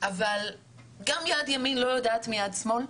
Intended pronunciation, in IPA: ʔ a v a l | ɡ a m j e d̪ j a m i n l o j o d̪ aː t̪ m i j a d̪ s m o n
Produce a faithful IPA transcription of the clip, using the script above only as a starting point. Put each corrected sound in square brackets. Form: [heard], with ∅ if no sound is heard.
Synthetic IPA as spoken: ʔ a v a l | ɡ a m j [a] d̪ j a m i n l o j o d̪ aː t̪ m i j a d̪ s m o n